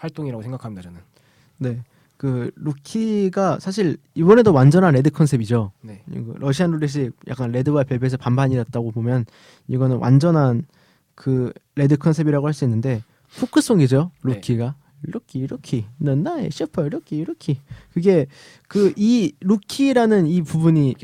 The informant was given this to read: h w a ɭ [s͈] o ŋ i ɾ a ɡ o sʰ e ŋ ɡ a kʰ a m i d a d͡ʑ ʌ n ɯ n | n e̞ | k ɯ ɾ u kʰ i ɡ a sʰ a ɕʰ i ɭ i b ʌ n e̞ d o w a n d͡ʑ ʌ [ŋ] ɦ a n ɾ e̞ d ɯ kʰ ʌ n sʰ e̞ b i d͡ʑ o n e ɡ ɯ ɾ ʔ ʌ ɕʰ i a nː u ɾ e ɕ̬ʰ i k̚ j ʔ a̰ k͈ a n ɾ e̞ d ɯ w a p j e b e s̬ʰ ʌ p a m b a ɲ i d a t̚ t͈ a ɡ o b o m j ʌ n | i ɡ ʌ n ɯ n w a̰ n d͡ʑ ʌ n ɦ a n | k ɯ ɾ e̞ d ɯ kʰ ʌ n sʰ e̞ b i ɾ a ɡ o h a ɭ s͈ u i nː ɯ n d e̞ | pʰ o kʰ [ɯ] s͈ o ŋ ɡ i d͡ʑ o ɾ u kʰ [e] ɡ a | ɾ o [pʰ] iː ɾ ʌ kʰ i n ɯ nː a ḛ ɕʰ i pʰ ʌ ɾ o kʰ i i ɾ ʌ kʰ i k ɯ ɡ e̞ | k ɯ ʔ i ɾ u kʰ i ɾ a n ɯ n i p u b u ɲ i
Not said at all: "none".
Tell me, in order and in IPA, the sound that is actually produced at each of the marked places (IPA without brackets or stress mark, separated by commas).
t͈, n, ɯ, i, kʰ